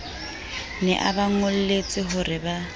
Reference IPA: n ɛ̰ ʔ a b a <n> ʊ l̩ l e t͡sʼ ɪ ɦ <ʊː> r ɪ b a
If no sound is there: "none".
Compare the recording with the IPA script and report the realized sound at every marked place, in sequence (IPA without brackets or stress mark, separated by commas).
ŋ, ʊ